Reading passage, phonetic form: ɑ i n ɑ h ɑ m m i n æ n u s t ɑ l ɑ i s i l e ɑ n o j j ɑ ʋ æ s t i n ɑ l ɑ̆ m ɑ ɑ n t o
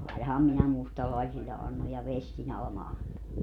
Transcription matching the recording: ɑ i n ɑ h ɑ m m i n æ m u s t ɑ l ɑ i s i lː e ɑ nː o j j ɑ ʋ e s t i n ɑ l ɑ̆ m ɑ ɑ n t o